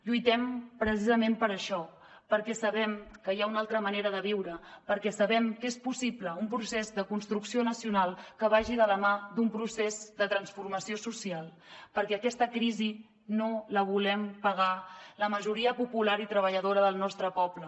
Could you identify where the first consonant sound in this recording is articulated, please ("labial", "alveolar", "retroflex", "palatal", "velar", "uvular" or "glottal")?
palatal